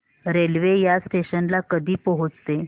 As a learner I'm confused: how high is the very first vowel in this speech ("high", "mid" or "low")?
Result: mid